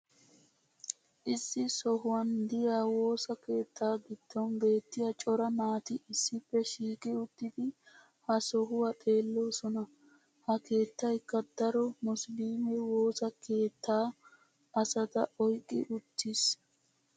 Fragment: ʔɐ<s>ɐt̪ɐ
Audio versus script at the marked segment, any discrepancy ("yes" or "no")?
no